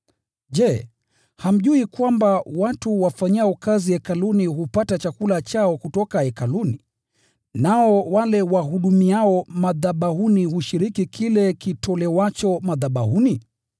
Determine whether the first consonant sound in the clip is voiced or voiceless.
voiced